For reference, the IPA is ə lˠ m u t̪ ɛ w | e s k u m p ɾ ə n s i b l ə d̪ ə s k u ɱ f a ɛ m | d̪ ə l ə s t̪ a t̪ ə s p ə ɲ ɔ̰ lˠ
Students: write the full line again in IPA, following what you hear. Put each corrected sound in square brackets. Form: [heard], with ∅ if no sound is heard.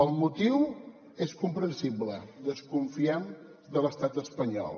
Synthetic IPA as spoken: ə lˠ m u t̪ [i] w | e s k u m p ɾ ə n s i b l ə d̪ ə s k u ɱ f [i] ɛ m | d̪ ə l ə s t̪ a t̪ ə s p ə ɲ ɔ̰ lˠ